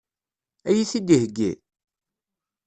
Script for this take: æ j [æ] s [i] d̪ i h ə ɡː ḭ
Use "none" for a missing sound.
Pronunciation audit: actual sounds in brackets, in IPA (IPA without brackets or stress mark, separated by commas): i, i